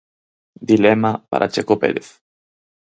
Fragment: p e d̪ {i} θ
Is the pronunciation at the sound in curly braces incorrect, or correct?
incorrect